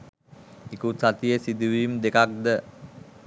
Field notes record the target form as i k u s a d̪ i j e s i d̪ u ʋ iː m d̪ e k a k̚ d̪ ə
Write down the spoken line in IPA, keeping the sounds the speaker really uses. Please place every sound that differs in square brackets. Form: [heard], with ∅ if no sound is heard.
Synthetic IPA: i k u s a [t̪] i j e s i d̪ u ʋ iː m d̪ e k a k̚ d̪ ə